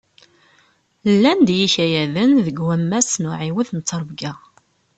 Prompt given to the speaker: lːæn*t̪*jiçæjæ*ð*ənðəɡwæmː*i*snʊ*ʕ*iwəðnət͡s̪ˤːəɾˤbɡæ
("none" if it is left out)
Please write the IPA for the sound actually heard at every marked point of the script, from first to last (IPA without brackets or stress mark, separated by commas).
d̪, ð, æ, ʕ